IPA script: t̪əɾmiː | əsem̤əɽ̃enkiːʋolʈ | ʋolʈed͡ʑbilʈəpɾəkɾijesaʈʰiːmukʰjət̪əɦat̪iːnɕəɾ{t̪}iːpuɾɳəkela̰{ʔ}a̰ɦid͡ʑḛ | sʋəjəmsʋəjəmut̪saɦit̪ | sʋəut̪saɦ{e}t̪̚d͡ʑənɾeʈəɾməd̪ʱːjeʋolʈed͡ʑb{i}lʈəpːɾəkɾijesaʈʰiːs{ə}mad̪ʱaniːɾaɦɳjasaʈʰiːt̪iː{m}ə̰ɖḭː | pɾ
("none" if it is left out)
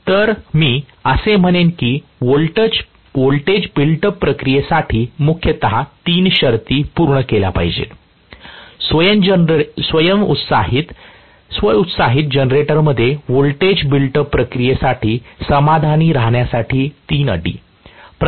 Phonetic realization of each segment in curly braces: t̪, p, i, i, ə, n

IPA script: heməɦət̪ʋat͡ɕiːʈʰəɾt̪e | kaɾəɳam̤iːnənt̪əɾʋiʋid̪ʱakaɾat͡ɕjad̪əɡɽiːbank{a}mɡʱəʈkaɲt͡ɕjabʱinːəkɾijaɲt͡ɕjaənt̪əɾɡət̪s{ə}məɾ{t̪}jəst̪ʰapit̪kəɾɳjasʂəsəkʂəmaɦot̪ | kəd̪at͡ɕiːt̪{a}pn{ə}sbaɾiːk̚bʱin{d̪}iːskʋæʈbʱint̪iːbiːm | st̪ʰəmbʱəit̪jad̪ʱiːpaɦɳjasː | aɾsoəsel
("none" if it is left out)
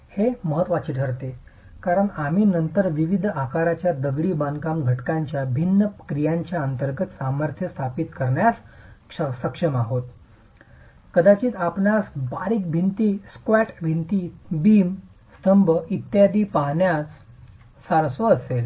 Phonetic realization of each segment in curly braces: a, a, t̪ʰ, a, a, t̪

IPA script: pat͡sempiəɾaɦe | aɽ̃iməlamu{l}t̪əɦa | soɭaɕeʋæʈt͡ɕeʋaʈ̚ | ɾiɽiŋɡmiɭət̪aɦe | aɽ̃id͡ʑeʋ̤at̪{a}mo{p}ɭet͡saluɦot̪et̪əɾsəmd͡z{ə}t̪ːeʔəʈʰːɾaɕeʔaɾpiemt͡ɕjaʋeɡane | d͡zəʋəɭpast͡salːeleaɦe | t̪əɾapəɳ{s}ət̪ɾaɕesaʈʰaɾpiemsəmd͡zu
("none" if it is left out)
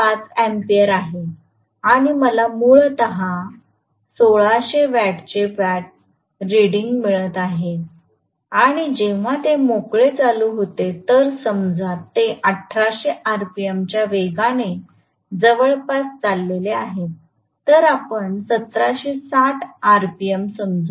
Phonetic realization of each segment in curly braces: ɭ, e, k, a, s

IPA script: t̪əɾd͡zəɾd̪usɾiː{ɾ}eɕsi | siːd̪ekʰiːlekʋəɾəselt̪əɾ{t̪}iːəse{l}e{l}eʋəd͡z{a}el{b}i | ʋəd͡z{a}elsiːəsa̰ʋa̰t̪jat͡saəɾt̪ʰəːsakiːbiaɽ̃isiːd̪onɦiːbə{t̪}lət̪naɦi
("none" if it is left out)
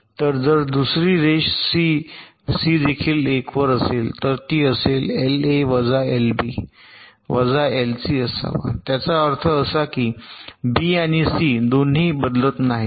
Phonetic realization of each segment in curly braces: ɾ, t̪, l, l, a, b, a, d̪

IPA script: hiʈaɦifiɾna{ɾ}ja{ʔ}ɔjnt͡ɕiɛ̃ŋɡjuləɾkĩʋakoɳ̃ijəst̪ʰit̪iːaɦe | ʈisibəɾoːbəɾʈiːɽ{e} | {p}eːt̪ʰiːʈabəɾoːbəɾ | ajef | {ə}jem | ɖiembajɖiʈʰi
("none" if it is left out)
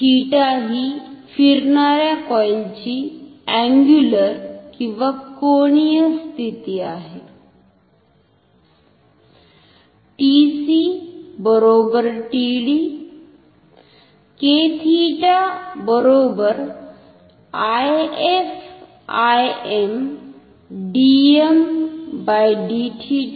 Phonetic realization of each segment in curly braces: ɾ, k, i, k, a

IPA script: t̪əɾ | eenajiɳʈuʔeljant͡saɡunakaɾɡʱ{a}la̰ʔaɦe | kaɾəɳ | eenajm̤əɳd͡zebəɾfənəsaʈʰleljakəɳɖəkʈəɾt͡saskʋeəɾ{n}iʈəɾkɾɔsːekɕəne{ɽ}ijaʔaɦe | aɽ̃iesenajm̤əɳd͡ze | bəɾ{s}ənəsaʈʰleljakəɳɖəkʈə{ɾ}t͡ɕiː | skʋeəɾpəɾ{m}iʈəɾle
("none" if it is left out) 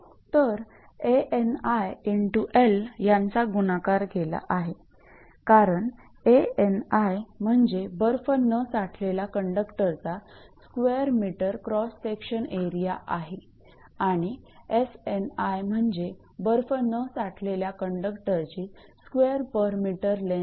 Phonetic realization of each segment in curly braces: e, m, ɾ, f, ɾ, m

